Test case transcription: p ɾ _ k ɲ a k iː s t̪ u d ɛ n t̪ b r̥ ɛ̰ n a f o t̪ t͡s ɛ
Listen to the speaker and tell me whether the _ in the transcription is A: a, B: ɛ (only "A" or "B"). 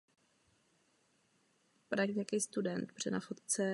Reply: A